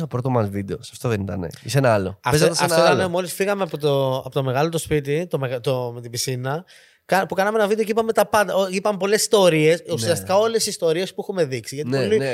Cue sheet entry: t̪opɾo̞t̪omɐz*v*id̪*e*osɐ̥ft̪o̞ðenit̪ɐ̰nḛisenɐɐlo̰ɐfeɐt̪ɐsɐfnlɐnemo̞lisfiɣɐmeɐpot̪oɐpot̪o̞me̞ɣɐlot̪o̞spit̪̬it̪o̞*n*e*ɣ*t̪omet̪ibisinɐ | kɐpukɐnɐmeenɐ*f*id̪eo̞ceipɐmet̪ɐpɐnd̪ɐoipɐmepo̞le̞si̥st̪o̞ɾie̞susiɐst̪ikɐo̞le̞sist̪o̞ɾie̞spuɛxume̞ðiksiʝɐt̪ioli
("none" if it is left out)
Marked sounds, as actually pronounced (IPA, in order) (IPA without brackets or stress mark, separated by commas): v, e, m, ɣ, v